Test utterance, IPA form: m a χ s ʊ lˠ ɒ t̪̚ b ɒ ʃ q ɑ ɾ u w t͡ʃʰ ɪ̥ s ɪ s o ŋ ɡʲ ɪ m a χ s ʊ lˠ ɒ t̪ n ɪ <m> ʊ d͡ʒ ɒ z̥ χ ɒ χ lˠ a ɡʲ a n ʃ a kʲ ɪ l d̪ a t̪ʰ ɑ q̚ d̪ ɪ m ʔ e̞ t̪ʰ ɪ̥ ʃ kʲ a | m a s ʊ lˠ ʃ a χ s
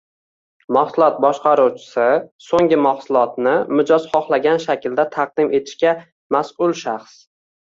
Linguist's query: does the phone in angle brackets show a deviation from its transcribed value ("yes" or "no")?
no